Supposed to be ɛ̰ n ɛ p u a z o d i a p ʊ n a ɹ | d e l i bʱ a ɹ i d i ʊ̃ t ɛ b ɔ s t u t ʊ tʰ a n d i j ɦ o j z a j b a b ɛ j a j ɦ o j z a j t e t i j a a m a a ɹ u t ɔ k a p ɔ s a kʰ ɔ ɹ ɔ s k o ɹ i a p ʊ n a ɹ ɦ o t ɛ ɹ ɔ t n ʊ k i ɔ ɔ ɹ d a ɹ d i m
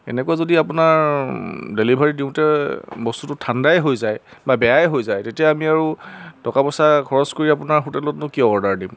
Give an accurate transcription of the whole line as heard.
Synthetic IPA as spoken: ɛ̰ n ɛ k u a z o d i a p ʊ n a ɹ | d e l i bʱ a ɹ i d i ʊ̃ t ɛ b ɔ s t u t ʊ tʰ a n d a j ɦ o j z a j b a b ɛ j a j ɦ o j z a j t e t i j a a m i a ɹ u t ɔ k a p ɔ s a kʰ ɔ ɹ ɔ s k o ɹ i a p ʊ n a ɹ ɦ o t ɛ l ɔ t n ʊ k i ɔ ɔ ɹ d a ɹ d i m